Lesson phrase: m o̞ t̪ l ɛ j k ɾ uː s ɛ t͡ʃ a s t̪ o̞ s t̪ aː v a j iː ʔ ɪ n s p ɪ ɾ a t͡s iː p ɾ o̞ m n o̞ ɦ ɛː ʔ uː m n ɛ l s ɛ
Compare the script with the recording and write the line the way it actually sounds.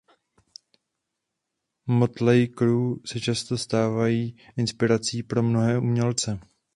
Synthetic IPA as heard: m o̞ t̪ l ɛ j k ɾ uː s ɛ t͡ʃ a s t̪ o̞ s t̪ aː v a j iː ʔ ɪ n s p ɪ ɾ a t͡s iː p ɾ o̞ m n o̞ ɦ ɛː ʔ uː m ɲ ɛ l t͡s ɛ